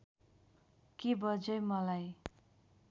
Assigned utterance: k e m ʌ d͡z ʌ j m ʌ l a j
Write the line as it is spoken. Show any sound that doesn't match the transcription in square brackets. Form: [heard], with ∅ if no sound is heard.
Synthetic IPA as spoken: k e [b] ʌ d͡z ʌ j m ʌ l a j